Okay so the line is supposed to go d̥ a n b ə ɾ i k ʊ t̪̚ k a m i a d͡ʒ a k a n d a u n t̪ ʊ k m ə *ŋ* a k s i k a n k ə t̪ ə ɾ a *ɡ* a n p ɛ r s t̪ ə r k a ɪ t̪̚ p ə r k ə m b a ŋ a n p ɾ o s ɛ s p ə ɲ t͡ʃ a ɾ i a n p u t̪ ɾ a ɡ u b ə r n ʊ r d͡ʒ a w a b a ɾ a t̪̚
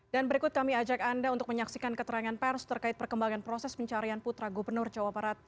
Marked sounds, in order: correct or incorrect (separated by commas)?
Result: incorrect, incorrect